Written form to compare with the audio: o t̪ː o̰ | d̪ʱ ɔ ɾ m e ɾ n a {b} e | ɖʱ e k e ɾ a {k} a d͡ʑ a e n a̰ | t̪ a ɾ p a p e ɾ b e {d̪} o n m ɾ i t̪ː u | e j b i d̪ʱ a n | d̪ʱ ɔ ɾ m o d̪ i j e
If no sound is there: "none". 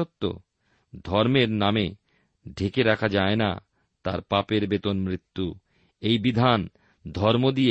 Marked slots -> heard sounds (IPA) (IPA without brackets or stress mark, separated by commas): m, kʰ, t̪